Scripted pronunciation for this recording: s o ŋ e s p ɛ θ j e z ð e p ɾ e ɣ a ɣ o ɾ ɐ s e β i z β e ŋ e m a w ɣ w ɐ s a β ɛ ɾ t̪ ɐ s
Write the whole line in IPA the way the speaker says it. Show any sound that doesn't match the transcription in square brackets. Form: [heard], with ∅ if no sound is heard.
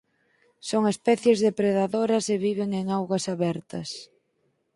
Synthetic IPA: s o ŋ e s p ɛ θ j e z ð e p ɾ e [ð] a [ð] o ɾ ɐ s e β i [∅] β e ŋ e [ŋ] a w ɣ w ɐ s a β ɛ ɾ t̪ ɐ s